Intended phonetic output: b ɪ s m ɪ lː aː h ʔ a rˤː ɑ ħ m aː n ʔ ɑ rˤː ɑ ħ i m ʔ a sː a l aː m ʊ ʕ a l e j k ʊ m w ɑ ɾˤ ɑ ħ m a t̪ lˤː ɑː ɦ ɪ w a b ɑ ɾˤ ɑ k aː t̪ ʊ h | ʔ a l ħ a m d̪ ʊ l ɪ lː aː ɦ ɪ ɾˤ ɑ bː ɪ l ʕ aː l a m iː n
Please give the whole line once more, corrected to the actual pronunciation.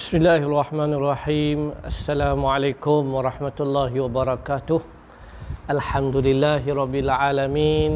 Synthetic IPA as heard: b ɪ s m ɪ lː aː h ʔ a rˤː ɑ ħ m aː n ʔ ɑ rˤː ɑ ħ iː m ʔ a sː a l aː m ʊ ʕ a l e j k ʊ m w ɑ ɾˤ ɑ ħ m a t̪ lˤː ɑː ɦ ɪ w a b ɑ ɾˤ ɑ k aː t̪ ʊ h | ʔ a l ħ a m d̪ ʊ l ɪ lː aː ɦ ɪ ɾˤ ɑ bː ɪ l ʕ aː l a m iː n